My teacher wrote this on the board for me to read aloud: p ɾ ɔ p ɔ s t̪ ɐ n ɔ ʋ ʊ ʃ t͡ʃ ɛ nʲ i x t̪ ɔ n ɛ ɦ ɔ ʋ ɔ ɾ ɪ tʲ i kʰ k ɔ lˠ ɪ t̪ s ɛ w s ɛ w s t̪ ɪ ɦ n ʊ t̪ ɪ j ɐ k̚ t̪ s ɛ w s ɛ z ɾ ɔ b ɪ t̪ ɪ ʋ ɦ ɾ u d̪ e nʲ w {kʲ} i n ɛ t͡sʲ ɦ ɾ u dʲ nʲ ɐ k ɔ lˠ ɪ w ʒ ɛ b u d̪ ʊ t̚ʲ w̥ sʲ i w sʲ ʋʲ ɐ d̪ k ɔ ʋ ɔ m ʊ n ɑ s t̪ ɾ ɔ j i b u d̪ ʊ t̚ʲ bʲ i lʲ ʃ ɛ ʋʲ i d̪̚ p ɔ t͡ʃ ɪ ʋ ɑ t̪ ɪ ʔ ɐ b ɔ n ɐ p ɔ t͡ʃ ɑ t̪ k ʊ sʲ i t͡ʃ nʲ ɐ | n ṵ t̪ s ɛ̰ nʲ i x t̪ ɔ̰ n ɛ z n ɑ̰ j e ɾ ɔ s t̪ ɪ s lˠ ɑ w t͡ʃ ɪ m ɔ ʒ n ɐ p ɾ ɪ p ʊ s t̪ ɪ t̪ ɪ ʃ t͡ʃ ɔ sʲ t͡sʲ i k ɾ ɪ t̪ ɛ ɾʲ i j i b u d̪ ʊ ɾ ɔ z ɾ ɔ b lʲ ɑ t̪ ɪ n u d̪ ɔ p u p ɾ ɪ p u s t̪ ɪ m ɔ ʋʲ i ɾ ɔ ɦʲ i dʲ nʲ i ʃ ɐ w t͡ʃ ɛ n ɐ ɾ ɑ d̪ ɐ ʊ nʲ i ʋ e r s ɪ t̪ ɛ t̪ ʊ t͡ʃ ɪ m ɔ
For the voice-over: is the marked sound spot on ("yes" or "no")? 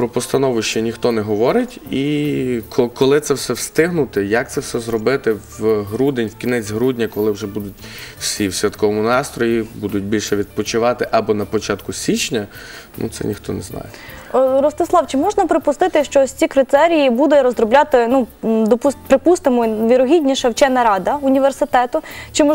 yes